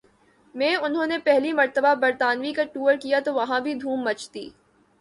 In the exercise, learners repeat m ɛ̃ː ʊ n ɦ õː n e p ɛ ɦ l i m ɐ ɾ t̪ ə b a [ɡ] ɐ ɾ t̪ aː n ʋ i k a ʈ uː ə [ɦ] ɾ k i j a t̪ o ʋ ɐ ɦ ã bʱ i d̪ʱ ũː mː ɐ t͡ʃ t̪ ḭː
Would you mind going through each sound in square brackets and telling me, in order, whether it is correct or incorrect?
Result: incorrect, incorrect

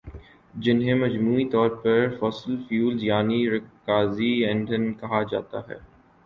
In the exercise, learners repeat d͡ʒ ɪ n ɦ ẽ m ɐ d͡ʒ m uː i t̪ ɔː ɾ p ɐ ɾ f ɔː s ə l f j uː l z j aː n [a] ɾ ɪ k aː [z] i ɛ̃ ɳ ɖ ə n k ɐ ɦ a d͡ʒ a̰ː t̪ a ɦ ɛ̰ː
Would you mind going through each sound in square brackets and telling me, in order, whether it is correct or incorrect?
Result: incorrect, correct

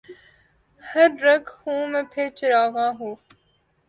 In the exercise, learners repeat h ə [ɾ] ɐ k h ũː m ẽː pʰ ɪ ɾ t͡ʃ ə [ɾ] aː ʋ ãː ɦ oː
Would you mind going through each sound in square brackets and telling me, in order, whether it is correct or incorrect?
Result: incorrect, correct

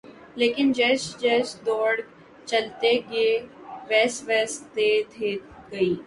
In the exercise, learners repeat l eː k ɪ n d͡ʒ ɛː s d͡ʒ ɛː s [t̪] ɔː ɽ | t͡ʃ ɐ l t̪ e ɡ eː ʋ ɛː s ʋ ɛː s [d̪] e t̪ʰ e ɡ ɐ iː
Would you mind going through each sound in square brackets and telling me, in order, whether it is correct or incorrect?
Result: incorrect, incorrect

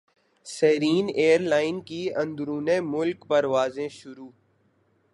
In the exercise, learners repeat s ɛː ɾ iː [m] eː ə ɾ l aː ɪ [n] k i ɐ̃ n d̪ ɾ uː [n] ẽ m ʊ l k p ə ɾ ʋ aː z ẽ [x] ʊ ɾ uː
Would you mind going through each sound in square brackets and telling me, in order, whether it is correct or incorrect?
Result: incorrect, correct, correct, incorrect

